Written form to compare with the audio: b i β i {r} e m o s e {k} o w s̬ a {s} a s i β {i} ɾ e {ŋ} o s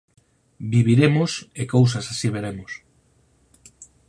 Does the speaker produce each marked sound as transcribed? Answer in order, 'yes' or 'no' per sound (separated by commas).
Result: no, yes, yes, no, no